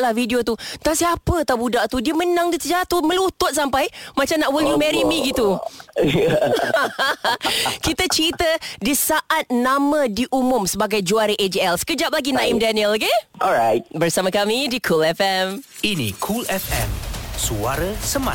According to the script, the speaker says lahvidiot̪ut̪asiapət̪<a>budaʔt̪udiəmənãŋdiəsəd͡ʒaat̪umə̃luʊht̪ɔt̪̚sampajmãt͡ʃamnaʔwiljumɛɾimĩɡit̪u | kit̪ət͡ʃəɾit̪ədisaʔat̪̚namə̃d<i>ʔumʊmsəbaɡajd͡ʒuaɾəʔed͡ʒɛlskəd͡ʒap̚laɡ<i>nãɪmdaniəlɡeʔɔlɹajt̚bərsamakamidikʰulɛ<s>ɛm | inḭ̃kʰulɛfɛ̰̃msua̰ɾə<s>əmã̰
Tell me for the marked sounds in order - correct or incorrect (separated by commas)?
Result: correct, correct, correct, incorrect, correct